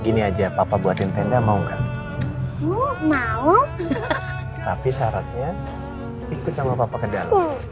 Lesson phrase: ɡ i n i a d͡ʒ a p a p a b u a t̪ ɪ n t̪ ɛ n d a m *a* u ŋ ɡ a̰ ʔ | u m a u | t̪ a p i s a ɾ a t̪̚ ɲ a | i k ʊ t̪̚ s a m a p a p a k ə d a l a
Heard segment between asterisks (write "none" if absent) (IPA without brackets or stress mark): a